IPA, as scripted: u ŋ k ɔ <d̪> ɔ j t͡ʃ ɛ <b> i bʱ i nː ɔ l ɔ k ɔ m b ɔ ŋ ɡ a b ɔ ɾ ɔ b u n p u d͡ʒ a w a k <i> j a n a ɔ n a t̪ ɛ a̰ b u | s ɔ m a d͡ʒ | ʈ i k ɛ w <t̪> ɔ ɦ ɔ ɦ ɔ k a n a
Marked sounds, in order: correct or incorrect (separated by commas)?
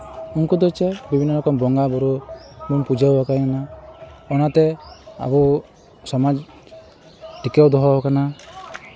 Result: correct, correct, incorrect, incorrect